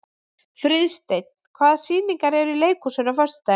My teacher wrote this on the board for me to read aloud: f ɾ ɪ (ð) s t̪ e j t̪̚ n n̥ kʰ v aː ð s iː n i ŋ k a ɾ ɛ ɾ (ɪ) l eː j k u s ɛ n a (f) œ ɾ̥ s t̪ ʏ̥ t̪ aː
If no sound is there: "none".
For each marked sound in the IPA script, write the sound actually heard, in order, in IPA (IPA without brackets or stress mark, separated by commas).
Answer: ð, i, f